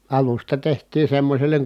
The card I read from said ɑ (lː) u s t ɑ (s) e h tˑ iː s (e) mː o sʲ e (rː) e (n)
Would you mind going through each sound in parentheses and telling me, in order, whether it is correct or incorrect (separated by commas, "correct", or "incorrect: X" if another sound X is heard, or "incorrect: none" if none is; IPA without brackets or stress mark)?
incorrect: l, incorrect: t, correct, incorrect: lː, incorrect: ŋ